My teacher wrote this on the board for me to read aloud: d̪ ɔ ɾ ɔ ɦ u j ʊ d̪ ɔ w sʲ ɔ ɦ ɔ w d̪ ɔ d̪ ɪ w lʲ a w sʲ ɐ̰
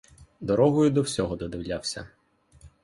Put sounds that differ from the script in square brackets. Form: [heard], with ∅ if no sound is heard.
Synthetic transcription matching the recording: d̪ ɔ ɾ ɔ ɦ [ɔ] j ʊ d̪ ɔ w sʲ ɔ ɦ ɔ [∅] d̪ ɔ d̪ ɪ w lʲ a w sʲ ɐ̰